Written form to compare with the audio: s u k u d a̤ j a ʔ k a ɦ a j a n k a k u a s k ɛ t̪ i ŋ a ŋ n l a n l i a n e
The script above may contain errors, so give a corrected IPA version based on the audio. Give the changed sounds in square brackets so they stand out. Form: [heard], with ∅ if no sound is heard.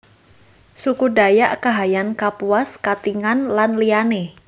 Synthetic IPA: s u k u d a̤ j a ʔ k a ɦ a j a n k a [p] u a s k [a] t̪ i ŋ a [∅] n l a n l i a n e